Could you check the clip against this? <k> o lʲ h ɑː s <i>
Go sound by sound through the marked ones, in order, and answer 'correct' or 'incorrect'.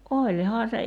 incorrect: ʔ, incorrect: e

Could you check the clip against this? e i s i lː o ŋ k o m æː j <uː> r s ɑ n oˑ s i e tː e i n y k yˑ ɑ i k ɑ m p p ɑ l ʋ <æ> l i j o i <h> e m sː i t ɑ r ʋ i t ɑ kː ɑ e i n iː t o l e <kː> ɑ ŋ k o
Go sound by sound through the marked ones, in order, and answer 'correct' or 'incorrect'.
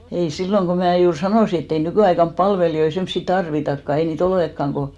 correct, incorrect: e, incorrect: s, correct

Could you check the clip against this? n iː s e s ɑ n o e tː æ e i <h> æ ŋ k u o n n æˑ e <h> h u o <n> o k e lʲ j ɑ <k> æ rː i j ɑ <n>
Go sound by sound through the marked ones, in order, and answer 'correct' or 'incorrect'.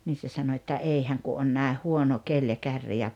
correct, correct, correct, correct, incorrect: none

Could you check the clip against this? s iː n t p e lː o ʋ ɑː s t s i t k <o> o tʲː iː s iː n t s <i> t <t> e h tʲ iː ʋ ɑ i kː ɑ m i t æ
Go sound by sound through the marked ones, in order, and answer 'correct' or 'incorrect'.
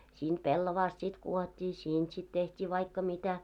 incorrect: u, correct, correct

